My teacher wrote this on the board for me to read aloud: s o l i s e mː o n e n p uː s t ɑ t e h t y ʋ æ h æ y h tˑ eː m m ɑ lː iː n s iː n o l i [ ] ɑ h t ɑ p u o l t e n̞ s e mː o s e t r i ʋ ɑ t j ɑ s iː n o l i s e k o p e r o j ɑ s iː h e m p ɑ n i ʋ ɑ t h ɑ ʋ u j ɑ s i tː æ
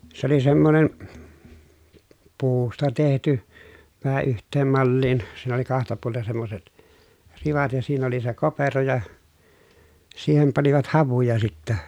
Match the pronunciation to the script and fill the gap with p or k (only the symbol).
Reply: k